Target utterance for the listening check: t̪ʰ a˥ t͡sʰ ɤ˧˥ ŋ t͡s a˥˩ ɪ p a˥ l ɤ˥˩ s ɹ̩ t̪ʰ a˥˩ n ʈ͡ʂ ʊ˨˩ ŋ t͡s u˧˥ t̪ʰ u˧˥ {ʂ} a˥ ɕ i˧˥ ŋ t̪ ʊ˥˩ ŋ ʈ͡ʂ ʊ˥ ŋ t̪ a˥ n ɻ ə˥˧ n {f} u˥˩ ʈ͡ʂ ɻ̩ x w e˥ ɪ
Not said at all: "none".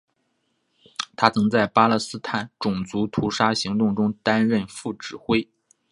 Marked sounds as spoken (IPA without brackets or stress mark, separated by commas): ʂ, f